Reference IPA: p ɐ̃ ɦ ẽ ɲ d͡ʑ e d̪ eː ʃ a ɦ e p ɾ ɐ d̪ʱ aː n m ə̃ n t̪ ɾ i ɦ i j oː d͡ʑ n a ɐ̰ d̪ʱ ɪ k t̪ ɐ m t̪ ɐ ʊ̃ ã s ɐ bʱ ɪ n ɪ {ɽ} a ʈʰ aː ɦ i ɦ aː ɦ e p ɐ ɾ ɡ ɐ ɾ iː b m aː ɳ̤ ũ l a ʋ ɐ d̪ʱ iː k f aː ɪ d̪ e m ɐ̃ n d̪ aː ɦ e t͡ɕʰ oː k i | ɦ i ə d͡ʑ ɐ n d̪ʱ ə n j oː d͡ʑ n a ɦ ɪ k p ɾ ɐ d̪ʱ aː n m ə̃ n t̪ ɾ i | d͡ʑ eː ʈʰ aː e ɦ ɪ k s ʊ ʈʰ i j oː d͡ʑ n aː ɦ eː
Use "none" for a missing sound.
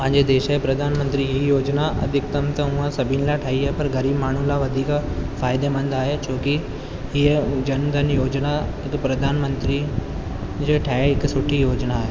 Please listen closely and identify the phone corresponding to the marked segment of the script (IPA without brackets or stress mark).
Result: l